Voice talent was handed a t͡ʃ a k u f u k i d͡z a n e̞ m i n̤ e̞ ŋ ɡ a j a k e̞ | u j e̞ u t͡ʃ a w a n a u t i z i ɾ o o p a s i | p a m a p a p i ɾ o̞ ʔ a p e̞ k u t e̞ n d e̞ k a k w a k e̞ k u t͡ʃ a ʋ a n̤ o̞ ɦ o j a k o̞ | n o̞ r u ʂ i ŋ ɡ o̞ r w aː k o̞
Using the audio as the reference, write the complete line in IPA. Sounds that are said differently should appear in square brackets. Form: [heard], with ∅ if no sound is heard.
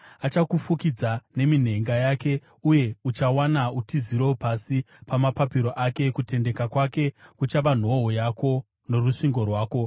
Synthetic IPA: a t͡ʃ a k u f u k i d͡z a n e̞ m i n̤ e̞ ŋ ɡ a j a k e̞ | u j e̞ u t͡ʃ a w a n a u t i z i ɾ o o p a s i | p a m a p a p i ɾ o̞ ʔ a [k] e̞ k u t e̞ n d e̞ k a k w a k e̞ k u t͡ʃ a ʋ a n̤ o̞ ɦ o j a k o̞ | n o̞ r u ʂ i ŋ ɡ o̞ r w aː k o̞